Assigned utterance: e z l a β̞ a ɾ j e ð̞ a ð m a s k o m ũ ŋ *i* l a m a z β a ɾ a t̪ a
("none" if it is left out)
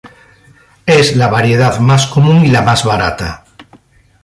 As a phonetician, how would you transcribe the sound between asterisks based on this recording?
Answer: i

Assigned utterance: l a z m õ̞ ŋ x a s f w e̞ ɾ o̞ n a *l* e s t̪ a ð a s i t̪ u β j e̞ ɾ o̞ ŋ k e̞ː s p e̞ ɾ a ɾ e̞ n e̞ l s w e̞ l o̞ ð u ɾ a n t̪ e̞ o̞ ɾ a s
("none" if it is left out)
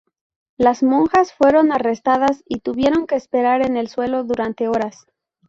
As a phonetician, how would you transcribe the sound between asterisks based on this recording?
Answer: r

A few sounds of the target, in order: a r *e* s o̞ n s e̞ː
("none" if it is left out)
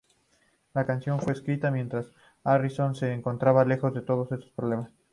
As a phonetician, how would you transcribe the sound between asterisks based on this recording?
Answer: i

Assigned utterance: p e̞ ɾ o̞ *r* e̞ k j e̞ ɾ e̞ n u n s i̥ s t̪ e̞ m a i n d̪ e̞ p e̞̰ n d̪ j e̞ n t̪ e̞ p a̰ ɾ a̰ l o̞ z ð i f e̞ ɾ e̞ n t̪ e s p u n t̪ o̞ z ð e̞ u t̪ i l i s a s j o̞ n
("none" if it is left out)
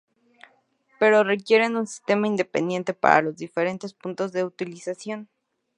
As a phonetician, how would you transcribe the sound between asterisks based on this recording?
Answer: r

